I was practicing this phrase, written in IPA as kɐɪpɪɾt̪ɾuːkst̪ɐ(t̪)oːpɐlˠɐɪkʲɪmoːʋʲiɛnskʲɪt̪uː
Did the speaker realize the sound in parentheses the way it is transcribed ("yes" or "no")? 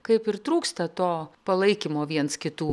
yes